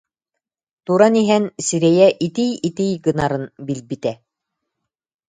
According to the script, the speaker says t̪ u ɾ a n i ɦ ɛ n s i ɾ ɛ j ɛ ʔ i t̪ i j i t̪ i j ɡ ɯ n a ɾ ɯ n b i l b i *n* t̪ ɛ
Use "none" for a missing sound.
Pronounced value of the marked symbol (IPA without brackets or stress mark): none